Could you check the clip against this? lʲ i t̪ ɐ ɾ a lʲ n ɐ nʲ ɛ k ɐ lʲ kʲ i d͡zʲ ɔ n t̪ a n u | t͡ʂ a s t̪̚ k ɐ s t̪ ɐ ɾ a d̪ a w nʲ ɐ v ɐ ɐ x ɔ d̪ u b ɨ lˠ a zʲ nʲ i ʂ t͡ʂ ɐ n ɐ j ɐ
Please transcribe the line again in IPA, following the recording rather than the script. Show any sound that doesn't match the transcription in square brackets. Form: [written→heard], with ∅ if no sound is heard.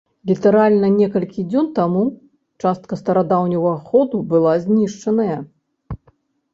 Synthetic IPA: lʲ i t̪ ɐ ɾ a lʲ n ɐ nʲ ɛ k ɐ lʲ kʲ i d͡zʲ ɔ n t̪ a [n→m] u | t͡ʂ a s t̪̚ k ɐ s t̪ ɐ ɾ a d̪ a w nʲ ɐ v ɐ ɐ x ɔ d̪ u b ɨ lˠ a zʲ nʲ i ʂ t͡ʂ ɐ n ɐ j ɐ

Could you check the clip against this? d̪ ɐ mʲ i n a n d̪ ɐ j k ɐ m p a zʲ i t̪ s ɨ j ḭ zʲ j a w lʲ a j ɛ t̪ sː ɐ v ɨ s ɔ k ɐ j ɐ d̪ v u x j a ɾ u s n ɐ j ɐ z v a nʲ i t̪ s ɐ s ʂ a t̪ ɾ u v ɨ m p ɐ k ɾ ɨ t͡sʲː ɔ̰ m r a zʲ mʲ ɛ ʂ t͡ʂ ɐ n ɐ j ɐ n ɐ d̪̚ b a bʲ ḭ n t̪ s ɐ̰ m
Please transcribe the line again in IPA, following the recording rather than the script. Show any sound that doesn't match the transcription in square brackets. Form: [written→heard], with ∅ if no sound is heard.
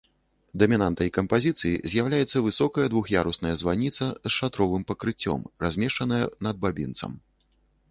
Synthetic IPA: d̪ ɐ mʲ i n a n [d̪→t̪] ɐ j k ɐ m p a zʲ i t̪ s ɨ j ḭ zʲ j a w lʲ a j ɛ t̪ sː ɐ v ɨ s ɔ k ɐ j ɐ d̪ v u x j a ɾ u s n ɐ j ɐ z v a nʲ i t̪ s ɐ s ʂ a t̪ ɾ [u→ɔ] v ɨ m p ɐ k ɾ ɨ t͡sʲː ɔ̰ m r a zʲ mʲ ɛ ʂ t͡ʂ ɐ n ɐ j ɐ n ɐ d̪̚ b a bʲ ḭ n t̪ s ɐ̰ m

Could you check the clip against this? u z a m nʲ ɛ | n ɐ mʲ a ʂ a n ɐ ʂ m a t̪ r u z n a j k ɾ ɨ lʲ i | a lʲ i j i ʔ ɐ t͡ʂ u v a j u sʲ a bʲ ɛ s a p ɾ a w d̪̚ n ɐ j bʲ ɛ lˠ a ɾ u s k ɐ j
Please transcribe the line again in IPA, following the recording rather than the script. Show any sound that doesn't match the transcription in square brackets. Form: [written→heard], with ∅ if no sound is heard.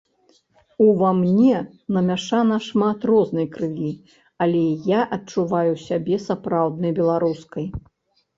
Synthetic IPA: u [z→v] a m nʲ ɛ | n ɐ mʲ a ʂ a n ɐ ʂ m a t̪ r [u→ɔ] z n [a→ɐ] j k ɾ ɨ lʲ i | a lʲ [i→ɛ] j [i→a] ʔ ɐ t͡ʂ u v a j u sʲ a bʲ ɛ s a p ɾ a w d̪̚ n ɐ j bʲ ɛ lˠ a ɾ u s k ɐ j

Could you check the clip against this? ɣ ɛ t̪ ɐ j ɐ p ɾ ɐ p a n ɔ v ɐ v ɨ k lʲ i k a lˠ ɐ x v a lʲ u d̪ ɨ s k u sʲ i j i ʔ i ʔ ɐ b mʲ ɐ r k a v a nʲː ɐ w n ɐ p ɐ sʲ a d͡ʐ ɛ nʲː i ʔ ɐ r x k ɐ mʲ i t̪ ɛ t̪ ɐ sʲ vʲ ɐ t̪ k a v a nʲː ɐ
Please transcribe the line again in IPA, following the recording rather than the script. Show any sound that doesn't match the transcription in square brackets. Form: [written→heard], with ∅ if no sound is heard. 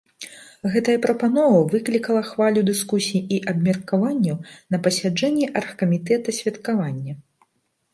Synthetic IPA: ɣ ɛ t̪ ɐ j ɐ p ɾ ɐ p a n ɔ v ɐ v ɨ k lʲ i k [a→ɐ] lˠ ɐ x v a lʲ u d̪ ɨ s k u sʲ i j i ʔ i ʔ ɐ b mʲ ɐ r k a v a nʲː ɐ w n ɐ p ɐ sʲ a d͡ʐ ɛ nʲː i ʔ ɐ r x k ɐ mʲ i t̪ ɛ t̪ ɐ sʲ vʲ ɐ t̪ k a v a nʲː ɐ

